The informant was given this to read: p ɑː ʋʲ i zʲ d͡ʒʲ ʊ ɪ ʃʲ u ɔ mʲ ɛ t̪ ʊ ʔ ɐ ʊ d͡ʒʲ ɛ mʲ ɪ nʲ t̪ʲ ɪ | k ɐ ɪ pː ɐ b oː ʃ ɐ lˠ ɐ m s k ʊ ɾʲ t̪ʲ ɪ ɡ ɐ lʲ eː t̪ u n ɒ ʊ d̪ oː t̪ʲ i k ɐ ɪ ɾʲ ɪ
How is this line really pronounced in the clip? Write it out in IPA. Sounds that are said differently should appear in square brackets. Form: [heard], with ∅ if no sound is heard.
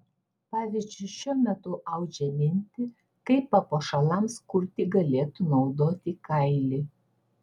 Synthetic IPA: p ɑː ʋʲ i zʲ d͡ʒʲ ʊ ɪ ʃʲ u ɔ mʲ ɛ t̪ ʊ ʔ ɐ ʊ d͡ʒʲ ɛ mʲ ɪ nʲ t̪ʲ ɪ | k ɐ ɪ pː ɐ [p] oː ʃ ɐ lˠ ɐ m s k ʊ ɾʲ t̪ʲ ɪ ɡ ɐ lʲ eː t̪ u n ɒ ʊ d̪ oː t̪ʲ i k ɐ ɪ [lʲ] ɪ